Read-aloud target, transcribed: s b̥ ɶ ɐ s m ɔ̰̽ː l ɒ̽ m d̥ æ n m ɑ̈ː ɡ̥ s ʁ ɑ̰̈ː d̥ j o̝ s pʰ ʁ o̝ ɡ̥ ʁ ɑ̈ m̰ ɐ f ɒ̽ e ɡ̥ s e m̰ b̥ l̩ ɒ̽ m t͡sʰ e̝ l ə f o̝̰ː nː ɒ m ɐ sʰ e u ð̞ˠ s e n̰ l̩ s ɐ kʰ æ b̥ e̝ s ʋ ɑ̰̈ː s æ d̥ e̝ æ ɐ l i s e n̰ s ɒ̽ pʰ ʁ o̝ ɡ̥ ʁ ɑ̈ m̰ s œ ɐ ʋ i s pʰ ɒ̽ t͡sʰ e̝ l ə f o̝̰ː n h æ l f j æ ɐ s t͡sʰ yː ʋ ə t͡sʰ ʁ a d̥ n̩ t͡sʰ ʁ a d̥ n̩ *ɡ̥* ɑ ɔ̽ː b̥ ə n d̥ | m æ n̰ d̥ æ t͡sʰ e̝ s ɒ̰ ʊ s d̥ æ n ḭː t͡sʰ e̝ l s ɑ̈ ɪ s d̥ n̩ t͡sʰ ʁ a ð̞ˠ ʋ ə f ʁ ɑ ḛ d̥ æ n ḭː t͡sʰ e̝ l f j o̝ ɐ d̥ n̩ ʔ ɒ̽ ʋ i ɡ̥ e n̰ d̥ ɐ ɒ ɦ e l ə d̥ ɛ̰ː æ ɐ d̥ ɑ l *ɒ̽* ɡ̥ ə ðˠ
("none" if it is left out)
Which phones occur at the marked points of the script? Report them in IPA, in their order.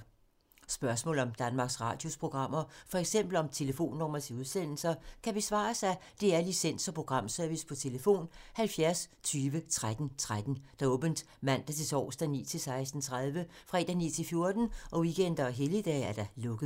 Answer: d̥, ɔ̽

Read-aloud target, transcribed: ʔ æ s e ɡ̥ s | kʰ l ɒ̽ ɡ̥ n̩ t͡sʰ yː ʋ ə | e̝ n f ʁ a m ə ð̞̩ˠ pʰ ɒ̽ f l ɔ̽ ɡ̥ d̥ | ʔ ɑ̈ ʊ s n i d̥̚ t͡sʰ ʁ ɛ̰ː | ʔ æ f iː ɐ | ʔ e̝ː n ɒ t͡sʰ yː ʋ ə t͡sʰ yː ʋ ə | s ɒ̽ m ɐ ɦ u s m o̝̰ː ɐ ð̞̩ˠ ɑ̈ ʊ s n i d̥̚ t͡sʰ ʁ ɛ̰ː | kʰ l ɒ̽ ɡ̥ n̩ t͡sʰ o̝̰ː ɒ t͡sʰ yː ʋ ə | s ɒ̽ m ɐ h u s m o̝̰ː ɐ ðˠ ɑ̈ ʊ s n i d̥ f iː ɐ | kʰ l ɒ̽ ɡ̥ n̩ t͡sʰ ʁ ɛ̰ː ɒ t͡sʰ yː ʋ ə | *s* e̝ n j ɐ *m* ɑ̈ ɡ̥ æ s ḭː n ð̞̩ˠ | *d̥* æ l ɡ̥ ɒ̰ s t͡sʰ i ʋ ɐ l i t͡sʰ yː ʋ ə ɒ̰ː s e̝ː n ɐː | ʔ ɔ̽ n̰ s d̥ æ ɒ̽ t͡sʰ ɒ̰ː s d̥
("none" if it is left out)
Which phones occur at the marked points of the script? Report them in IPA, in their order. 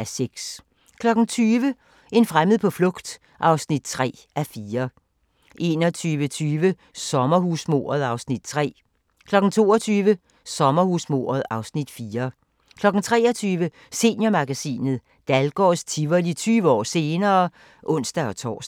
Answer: s, m, d̥

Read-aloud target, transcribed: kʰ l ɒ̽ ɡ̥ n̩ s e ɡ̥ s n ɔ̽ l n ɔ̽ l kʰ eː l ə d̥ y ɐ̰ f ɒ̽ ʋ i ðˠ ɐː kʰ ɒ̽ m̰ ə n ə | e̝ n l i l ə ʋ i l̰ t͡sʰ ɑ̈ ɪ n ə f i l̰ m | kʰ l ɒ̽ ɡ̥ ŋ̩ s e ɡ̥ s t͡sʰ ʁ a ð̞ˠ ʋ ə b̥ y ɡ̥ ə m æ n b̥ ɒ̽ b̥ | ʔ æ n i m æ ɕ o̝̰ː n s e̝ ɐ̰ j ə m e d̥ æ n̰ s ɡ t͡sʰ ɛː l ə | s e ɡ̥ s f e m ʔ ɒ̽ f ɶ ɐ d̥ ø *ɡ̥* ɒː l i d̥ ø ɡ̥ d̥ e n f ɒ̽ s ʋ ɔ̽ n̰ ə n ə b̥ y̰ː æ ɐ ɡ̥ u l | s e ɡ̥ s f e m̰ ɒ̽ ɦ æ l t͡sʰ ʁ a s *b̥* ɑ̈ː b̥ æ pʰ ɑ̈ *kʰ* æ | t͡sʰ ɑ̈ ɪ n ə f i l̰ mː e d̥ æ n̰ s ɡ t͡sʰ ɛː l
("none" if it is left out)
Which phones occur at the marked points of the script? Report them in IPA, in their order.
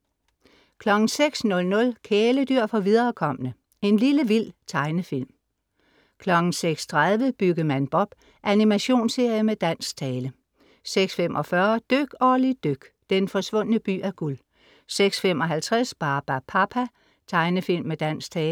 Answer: ɡ̥, b̥, pʰ

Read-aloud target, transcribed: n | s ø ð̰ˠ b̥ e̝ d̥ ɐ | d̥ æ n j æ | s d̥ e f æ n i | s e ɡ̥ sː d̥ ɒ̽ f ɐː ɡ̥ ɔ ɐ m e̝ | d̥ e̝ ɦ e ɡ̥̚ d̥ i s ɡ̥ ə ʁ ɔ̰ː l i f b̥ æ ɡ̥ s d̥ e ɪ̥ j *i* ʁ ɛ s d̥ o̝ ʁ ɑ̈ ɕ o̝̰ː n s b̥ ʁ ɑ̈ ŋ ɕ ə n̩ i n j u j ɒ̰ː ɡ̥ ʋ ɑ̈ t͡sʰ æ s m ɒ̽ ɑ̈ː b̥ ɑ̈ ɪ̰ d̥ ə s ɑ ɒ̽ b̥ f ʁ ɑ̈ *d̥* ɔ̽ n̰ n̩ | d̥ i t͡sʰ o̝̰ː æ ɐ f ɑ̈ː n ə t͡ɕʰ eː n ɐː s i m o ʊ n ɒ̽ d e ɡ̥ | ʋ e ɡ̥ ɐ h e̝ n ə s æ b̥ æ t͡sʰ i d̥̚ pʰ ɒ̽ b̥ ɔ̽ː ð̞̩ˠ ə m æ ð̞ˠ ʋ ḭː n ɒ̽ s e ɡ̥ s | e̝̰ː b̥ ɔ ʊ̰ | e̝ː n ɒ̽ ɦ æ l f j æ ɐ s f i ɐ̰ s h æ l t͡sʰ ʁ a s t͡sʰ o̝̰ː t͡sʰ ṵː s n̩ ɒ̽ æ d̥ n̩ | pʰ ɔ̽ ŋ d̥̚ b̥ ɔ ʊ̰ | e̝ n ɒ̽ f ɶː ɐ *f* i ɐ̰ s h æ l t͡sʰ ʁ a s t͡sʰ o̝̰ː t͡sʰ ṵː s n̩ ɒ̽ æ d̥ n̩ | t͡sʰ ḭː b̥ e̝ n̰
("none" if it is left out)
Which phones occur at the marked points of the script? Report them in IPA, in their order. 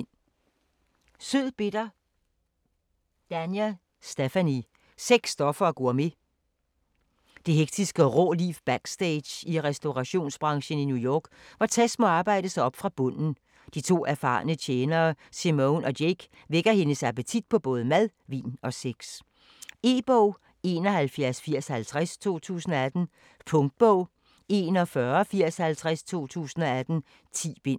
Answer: i, b̥, f

